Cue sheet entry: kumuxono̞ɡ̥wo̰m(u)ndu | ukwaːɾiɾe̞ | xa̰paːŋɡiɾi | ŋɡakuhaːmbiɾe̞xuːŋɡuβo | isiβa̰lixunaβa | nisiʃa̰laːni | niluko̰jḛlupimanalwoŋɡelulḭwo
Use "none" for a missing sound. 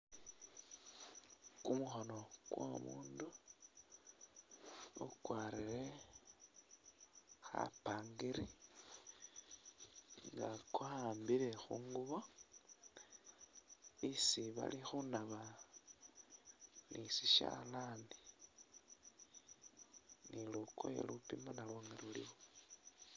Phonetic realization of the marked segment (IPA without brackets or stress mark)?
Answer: uː